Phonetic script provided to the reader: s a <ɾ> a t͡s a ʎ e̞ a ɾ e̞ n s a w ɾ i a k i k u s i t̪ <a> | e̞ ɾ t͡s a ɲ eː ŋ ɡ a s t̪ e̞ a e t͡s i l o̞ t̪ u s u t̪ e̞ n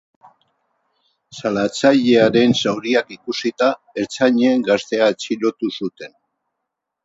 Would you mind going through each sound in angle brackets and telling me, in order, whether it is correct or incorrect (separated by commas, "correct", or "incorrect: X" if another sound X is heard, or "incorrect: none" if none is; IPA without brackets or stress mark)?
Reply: incorrect: l, correct